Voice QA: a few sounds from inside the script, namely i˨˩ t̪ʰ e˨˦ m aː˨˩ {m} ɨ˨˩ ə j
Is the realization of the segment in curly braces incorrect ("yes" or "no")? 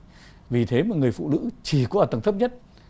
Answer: yes